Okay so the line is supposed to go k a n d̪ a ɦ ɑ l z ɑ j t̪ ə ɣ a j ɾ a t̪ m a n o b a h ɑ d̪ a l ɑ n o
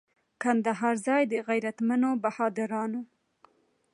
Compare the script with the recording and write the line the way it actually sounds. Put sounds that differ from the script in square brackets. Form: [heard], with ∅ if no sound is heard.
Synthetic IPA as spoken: k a n d̪ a ɦ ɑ [ɾ] z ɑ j [d̪] ə ɣ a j ɾ a t̪ m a n o b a h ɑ d̪ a [ɾ] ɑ n o

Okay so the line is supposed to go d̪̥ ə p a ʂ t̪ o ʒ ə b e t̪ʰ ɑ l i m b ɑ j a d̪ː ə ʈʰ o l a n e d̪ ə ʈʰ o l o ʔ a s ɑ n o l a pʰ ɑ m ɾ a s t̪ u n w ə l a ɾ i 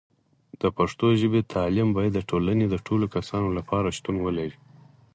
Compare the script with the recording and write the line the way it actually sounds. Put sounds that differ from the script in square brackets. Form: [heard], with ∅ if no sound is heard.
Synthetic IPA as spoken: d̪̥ ə p a ʂ t̪ o ʒ ə b e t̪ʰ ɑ l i m b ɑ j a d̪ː ə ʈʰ o l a n e d̪ ə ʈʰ o l o [k] a s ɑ n o l a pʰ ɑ [∅] ɾ a [ʃ] t̪ u n w ə l a ɾ i

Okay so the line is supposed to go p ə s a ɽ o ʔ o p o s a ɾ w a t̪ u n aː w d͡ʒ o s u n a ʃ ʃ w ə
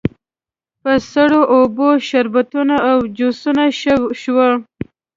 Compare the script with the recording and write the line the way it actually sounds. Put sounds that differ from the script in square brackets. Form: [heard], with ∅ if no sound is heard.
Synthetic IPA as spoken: p ə s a ɽ o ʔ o [b] o [ʃ] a ɾ [b] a t̪ u n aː w d͡ʒ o s u n a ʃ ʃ w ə

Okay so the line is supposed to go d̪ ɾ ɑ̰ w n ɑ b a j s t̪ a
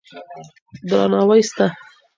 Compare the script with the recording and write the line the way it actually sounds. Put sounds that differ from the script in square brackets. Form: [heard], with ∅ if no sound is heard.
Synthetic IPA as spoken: d̪ ɾ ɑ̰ [∅] n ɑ [w] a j s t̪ a

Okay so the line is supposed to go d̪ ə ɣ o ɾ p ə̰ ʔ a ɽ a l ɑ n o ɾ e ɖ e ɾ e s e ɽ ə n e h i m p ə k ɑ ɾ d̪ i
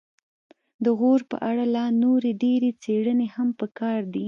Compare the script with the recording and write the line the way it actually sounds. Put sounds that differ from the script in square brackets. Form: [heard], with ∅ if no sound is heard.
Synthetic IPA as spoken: d̪ ə ɣ o ɾ p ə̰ ʔ a ɽ a l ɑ n o ɾ e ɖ e ɾ e [t͡s] e ɽ ə n e h [a] m p ə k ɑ ɾ d̪ i

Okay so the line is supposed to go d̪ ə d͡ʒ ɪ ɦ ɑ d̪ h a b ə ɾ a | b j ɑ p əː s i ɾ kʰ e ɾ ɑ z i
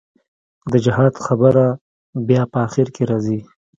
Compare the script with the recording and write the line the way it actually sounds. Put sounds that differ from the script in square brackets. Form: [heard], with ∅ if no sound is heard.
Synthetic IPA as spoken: d̪ ə d͡ʒ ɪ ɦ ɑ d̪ [x] a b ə ɾ a | b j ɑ p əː [x] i ɾ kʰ e ɾ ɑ z i

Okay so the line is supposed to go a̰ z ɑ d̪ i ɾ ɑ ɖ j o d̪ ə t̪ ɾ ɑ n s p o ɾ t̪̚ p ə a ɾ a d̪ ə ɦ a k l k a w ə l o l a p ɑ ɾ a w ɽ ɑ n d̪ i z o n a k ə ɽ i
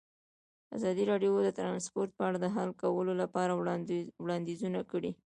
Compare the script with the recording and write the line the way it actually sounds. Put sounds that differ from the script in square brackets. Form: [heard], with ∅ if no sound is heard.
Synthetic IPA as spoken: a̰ z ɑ d̪ i ɾ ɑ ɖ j o d̪ ə t̪ ɾ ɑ n s p o ɾ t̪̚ p ə a [ɽ] a d̪ ə ɦ a [∅] l k a w ə l o l a p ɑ ɾ a w ɽ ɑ n d̪ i z [u] n a k ə ɽ i

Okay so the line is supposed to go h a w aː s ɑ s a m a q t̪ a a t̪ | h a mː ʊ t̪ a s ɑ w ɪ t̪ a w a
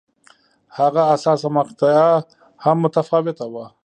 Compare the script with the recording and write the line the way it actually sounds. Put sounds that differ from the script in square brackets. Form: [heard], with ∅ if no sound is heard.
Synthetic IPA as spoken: h a [ɣ] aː s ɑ s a m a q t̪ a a [∅] | h a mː ʊ t̪ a [f] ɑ w ɪ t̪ a w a

